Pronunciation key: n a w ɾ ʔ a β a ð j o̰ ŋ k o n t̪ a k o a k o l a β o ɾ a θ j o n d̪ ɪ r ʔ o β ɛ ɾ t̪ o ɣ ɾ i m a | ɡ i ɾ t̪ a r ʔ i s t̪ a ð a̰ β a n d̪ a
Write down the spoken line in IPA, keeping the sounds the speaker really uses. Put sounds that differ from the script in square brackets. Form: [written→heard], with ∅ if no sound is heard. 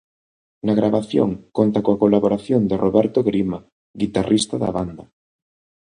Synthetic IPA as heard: n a [w→ɣ] ɾ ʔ a β a [ð→θ] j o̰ ŋ k o n t̪ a k o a k o l a β o ɾ a θ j o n d̪ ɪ r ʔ o β ɛ ɾ t̪ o ɣ ɾ i m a | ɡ i [ɾ→∅] t̪ a r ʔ i s t̪ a ð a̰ β a n d̪ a